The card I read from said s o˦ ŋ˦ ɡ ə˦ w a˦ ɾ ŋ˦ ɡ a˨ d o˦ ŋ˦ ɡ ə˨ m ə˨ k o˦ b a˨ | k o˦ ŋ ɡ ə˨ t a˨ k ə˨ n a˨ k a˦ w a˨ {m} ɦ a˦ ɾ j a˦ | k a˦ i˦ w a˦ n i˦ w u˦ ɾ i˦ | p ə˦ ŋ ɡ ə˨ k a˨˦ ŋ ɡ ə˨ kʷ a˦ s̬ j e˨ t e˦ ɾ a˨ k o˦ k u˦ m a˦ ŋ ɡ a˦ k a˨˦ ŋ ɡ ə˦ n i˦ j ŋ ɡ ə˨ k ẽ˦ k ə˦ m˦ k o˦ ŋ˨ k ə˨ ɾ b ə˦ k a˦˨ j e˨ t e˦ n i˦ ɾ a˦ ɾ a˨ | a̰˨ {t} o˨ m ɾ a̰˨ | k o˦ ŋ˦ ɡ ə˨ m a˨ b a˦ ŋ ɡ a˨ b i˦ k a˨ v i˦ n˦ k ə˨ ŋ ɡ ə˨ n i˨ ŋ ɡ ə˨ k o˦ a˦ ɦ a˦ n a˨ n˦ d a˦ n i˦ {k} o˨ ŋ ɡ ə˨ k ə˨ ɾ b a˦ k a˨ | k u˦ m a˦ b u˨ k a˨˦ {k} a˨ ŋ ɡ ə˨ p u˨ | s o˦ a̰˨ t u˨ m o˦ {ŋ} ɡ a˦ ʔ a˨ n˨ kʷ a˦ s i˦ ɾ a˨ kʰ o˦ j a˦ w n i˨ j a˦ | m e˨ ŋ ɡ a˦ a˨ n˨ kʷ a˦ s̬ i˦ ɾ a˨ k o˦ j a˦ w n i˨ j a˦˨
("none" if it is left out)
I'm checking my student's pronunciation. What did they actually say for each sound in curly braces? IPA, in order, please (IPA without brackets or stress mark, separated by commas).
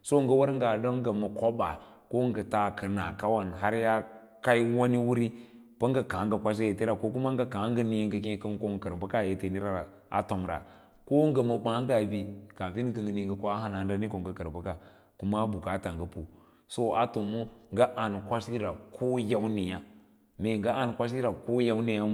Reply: n, t, k, t, ŋ